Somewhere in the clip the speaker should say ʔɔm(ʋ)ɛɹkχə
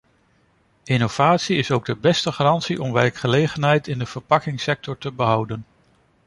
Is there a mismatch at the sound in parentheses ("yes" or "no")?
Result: no